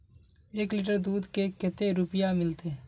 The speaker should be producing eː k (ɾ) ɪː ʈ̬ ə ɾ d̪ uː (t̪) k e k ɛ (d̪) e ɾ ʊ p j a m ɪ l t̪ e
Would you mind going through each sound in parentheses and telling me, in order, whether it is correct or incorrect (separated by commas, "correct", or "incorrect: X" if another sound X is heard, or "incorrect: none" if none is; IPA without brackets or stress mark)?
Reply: incorrect: l, incorrect: d̪, incorrect: t̪